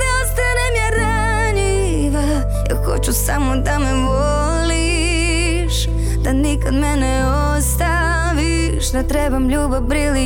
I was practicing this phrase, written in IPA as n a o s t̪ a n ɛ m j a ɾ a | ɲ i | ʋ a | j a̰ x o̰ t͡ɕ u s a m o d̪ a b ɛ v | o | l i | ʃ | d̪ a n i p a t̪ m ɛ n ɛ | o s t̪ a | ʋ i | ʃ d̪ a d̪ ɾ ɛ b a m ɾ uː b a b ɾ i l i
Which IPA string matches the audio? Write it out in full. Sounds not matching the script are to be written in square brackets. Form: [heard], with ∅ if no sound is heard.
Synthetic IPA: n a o s t̪ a n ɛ m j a ɾ a | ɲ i | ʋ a | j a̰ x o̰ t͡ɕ u s a m o d̪ a [m] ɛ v | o | l i | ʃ | d̪ a n i [k] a [d̪] m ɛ n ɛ | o s t̪ a | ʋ i | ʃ d̪ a [t̪] ɾ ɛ b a m [ʎ] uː b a b ɾ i l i